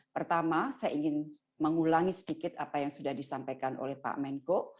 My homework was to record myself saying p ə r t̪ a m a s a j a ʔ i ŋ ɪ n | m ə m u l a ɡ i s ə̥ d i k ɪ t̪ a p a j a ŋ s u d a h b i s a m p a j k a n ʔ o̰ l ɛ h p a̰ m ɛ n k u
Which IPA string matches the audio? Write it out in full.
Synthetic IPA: p ə r t̪ a m a s a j a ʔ i ŋ ɪ n | m ə ŋ u l a ŋ i s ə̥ d i k ɪ t̪ a p a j a ŋ s u d a h d i s a m p a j k a n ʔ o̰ l ɛ h p a̰ m ɛ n k o